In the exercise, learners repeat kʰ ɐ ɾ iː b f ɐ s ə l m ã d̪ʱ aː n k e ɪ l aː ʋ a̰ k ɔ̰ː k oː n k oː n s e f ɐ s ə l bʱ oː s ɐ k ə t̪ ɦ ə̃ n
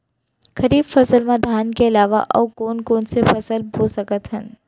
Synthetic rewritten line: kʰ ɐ ɾ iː b f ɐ s ə l m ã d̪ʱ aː n k e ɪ l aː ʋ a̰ ʔ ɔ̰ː k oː n k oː n s e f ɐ s ə l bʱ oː s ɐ k ə t̪ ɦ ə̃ n